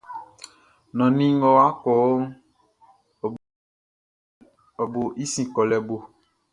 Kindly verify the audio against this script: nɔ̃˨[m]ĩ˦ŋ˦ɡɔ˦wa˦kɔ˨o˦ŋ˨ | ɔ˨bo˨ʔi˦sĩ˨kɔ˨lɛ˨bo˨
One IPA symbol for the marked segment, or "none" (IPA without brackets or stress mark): n